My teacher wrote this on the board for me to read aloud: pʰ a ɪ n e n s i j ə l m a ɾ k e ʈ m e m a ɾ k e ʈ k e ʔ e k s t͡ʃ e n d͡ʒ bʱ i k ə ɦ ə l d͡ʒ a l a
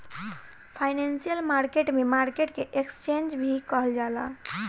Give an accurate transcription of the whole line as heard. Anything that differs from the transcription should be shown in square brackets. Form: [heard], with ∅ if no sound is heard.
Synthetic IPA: pʰ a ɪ n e n s i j ə l m a ɾ k e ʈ m e m a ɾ k e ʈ k e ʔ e k s t͡ʃ e n d͡ʒ bʱ i k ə ɦ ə l d͡ʒ a l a